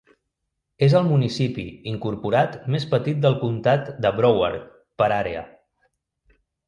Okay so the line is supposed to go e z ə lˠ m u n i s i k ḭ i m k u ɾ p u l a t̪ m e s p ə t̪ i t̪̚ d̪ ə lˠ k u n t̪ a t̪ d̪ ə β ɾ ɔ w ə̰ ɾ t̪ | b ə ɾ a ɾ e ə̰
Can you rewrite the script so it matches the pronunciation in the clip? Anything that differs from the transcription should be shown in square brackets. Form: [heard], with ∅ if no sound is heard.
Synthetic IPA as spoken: e z ə lˠ m u n i s i [p] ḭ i [ŋ] k u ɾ p u [ɾ] a t̪ m e s p ə t̪ i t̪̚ d̪ ə lˠ k u n t̪ a t̪ d̪ ə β ɾ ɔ w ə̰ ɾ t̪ | [p] ə ɾ a ɾ e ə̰